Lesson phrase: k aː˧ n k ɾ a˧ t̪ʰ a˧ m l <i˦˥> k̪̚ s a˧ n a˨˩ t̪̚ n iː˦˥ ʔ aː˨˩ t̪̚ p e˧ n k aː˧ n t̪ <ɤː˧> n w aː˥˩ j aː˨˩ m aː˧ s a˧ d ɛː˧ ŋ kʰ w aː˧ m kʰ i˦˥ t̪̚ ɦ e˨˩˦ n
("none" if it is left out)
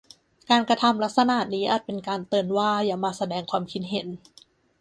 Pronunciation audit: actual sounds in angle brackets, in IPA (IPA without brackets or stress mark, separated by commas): a˦˥, ɤː˧